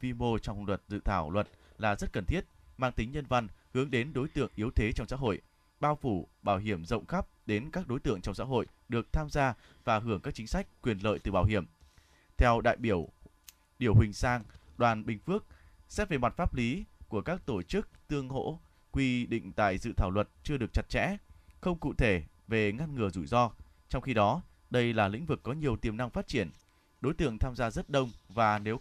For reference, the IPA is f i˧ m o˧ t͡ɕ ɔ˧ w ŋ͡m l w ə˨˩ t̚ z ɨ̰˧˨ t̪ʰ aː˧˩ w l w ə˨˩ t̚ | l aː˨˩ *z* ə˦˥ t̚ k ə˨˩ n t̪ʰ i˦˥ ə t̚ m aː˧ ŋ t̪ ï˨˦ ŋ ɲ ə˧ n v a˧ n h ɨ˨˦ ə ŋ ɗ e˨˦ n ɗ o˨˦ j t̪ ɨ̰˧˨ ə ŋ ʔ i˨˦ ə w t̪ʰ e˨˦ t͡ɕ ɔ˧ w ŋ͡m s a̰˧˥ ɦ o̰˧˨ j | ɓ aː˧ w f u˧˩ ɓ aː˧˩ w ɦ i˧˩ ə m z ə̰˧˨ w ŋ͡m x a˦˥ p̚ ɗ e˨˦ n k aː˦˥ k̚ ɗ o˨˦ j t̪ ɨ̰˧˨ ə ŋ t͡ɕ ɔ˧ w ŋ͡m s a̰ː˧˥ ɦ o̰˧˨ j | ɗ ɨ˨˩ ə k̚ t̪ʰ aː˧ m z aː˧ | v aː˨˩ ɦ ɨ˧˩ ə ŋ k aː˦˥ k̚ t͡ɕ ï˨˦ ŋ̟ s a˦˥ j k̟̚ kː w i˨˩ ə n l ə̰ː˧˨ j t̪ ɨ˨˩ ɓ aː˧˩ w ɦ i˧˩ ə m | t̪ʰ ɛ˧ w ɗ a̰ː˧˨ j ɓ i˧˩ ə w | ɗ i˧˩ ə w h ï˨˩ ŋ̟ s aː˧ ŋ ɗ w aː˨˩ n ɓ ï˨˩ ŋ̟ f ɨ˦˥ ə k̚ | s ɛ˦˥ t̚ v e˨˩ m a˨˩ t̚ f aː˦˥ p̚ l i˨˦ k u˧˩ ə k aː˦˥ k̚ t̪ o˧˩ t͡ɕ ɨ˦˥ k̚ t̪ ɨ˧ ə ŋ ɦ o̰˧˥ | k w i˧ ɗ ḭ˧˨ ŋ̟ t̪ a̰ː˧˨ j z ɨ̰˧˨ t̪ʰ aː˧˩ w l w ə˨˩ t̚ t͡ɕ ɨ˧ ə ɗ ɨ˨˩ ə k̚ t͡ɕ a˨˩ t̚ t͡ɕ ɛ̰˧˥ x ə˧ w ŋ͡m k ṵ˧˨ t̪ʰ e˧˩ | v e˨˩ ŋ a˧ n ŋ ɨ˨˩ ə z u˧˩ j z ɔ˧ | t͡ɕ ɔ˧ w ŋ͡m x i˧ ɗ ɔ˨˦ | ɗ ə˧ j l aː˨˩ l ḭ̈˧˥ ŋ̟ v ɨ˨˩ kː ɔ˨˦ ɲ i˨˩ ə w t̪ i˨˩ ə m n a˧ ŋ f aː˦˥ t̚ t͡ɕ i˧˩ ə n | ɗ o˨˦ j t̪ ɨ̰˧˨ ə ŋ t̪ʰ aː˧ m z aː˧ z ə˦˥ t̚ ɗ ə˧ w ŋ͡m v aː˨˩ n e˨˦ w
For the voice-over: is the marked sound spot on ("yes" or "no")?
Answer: yes